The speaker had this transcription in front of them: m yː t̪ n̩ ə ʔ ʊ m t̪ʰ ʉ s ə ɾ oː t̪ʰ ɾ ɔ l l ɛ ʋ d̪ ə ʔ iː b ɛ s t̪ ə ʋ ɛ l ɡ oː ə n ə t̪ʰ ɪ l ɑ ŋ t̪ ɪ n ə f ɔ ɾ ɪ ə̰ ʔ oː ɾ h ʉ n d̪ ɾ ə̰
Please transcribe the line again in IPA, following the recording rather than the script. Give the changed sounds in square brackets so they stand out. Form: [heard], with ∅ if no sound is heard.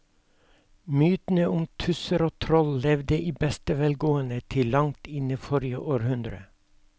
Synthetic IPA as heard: m yː t̪ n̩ ə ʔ ʊ m t̪ʰ ʉ s ə ɾ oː t̪ʰ ɾ ɔ l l ɛ ʋ d̪ ə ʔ iː b ɛ s t̪ ə ʋ ɛ l ɡ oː ə n ə t̪ʰ ɪ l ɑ ŋ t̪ ɪ n ə f ɔ ɾ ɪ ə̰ ʔ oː ɾ h ʉ n d̪ ɾ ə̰